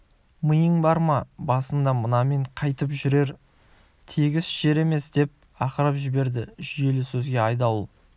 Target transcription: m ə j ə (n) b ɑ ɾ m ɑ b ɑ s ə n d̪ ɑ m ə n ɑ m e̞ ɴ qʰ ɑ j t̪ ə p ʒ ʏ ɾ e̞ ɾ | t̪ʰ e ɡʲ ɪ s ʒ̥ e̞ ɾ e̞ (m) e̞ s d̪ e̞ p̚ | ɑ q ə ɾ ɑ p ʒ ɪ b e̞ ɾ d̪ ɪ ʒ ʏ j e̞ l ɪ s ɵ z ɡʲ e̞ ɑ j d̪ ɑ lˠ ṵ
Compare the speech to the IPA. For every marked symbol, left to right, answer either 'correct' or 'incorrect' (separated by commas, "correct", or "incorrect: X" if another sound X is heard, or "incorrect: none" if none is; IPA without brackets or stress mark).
incorrect: ɴ, correct